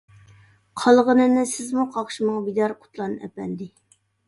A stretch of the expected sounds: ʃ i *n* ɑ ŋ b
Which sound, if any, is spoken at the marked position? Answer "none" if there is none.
m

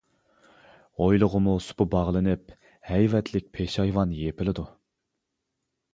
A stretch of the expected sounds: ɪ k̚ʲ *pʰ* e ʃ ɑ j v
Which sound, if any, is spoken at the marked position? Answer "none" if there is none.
pʰ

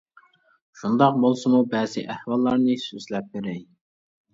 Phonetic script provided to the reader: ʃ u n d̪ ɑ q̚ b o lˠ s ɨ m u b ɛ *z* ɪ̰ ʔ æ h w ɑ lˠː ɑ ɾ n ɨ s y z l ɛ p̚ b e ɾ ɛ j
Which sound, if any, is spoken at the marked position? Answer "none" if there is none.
z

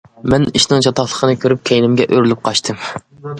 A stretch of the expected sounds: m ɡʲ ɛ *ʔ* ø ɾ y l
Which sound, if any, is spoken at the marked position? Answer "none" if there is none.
ʔ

